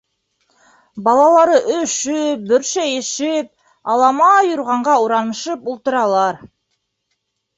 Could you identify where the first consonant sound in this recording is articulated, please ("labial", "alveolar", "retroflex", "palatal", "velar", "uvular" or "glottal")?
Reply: labial